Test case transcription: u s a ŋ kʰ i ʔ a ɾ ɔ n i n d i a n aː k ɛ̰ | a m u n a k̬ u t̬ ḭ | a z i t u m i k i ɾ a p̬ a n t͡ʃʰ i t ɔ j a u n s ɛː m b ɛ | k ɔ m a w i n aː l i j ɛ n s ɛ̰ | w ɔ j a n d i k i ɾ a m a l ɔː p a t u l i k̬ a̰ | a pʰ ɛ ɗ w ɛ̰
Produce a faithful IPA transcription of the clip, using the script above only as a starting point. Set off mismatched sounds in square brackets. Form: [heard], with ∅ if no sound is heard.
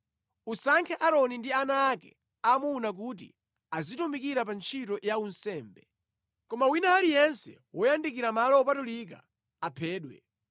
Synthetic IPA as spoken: u s a ŋ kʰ [ɛ] ʔ a ɾ ɔ n i n d i a n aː k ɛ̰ | a m u n a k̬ u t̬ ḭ | a z i t u m i k i ɾ a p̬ a n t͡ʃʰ i t ɔ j a u n s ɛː m b ɛ | k ɔ m a w i n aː l i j ɛ n s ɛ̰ | w ɔ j a n d i k i ɾ a m a l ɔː p a t u l i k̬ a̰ | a pʰ [ɛː] ɗ w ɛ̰